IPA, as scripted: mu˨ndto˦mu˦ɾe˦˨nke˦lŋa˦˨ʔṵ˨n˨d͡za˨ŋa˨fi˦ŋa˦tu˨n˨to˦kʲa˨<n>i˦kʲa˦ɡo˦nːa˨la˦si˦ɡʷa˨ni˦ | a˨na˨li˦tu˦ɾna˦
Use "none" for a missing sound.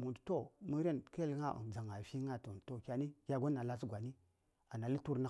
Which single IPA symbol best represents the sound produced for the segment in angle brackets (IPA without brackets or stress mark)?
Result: n